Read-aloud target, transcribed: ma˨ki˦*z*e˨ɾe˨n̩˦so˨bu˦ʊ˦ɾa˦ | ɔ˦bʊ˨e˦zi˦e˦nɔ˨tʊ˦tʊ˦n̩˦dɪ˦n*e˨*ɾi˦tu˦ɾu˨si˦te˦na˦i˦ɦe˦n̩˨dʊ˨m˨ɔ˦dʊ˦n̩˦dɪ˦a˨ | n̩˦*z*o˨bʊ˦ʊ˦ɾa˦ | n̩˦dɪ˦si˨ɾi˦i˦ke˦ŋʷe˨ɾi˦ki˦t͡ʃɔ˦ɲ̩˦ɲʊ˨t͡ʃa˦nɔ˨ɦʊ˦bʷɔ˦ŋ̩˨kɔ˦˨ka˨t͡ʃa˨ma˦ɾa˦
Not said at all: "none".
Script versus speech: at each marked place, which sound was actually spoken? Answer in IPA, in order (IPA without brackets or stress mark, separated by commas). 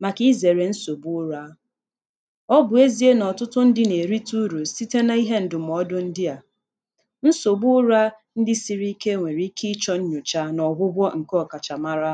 z, e˨, s